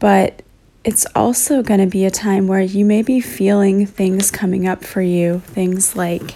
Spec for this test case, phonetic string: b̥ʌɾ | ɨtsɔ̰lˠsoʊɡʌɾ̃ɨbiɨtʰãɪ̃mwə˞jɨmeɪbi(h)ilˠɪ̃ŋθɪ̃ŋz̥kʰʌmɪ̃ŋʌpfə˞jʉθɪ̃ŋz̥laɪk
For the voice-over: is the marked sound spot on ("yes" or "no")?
no